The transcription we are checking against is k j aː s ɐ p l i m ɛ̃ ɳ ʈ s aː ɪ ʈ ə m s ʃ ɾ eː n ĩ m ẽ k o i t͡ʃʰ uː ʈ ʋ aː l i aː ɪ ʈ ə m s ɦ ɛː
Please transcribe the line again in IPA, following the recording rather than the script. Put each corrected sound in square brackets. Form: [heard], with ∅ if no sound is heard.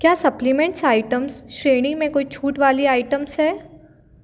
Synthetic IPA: k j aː s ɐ p l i m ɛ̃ ɳ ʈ s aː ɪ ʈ ə m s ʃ ɾ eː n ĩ m ẽ k o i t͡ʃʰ uː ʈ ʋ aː l i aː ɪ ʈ ə m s ɦ ɛː